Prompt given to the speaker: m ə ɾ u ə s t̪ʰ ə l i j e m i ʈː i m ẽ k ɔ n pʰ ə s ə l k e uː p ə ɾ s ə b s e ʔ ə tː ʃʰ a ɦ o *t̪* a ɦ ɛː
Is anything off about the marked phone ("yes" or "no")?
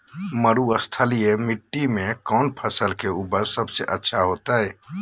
no